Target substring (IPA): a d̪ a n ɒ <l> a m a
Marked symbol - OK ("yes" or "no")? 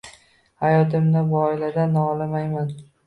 yes